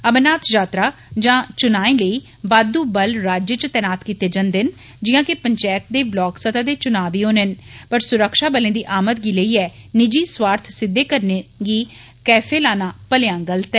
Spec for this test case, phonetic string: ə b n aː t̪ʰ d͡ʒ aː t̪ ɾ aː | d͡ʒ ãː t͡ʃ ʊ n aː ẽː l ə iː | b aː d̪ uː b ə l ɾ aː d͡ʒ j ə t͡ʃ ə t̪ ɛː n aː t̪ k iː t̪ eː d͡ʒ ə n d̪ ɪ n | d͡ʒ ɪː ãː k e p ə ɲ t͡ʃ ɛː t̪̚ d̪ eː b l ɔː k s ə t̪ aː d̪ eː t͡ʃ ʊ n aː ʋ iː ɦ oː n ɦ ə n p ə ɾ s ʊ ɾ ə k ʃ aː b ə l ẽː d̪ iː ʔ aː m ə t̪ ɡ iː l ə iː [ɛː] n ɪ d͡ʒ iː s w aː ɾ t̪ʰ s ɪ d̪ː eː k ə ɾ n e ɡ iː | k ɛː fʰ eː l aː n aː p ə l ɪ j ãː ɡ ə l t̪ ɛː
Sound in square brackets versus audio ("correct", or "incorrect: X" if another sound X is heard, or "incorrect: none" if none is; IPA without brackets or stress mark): correct